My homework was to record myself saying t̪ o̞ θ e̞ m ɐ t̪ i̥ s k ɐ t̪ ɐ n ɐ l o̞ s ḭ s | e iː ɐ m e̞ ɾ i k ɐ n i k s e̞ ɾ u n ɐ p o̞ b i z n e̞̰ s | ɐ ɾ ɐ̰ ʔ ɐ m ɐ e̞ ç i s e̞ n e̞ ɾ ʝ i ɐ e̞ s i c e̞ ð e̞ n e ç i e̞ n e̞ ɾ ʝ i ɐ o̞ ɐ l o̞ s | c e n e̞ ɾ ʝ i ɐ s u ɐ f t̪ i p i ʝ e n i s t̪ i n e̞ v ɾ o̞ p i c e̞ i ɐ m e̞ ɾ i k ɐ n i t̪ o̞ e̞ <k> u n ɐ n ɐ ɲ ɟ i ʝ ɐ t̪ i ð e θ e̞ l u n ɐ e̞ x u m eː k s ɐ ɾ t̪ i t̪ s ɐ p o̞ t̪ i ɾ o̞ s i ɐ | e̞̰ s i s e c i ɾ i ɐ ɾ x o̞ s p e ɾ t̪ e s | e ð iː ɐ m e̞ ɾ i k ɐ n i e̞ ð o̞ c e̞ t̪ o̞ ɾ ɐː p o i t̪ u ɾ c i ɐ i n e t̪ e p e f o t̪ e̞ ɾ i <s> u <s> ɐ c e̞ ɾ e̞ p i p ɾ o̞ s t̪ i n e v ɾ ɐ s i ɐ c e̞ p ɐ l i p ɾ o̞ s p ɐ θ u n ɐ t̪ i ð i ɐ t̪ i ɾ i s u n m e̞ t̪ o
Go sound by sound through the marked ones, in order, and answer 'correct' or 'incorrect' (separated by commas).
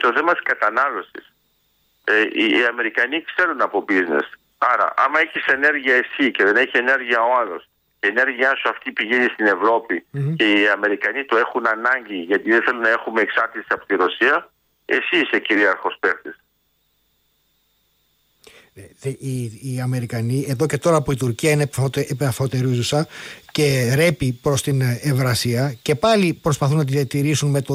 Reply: incorrect, incorrect, correct